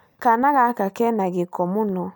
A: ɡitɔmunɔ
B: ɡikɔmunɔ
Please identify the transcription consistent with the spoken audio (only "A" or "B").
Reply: B